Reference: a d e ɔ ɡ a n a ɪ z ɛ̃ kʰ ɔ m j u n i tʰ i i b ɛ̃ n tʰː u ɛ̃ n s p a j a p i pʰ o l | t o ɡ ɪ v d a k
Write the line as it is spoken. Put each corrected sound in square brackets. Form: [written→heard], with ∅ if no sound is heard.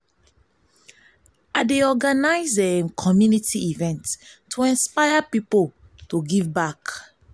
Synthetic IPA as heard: a d e ɔ ɡ a n a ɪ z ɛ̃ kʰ ɔ m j u n i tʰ i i [b→v] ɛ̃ n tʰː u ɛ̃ n s p a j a p i [pʰ→p] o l | t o ɡ [ɪ→i] v [d→b] a k